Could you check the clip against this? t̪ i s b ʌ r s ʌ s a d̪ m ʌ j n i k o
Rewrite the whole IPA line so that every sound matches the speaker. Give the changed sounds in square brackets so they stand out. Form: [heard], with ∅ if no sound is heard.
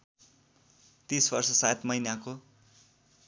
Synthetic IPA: t̪ i s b ʌ r s ʌ s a [t̪] m ʌ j n [a] k o

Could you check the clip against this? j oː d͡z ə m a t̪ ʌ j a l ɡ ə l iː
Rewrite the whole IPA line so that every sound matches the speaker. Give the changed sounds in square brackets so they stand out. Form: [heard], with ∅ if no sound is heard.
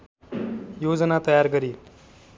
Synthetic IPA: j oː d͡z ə [n] a t̪ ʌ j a [ɾ] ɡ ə [ɾ] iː

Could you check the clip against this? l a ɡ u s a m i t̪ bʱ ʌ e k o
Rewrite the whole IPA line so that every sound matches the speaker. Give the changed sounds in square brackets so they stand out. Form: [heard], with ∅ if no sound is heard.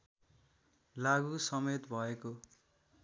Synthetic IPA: l a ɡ u s [ʌ] m [e] t̪ bʱ ʌ e k o

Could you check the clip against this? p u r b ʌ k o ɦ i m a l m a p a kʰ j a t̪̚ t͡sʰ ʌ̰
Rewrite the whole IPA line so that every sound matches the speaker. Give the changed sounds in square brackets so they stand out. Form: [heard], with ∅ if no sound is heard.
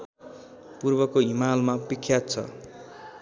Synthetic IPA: p u r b ʌ k o ɦ i m a l m a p [i] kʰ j a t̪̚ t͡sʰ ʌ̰

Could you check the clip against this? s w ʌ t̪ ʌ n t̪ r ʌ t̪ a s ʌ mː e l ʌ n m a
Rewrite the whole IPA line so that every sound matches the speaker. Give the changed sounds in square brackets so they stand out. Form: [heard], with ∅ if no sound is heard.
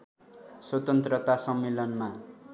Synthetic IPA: s w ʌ t̪ ʌ n t̪ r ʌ t̪ a s ʌ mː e l ʌ n m a

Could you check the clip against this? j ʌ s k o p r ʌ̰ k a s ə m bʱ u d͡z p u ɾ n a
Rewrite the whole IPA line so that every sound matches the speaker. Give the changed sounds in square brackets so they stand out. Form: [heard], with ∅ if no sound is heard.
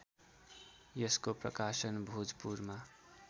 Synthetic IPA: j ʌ s k o p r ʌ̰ k a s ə [n] bʱ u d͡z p u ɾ [m] a

